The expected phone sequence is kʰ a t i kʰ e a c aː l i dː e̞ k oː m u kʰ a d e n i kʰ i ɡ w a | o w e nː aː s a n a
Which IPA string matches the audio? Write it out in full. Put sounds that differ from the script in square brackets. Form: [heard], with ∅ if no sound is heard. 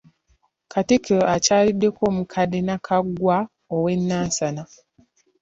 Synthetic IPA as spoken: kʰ a t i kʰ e a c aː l i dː e̞ k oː m u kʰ a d e n [a] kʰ [a] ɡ w a | o w e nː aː s a n a